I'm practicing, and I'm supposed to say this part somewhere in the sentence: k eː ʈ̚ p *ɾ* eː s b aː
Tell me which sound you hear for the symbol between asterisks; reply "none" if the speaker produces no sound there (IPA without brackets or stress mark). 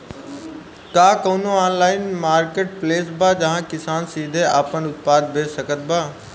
l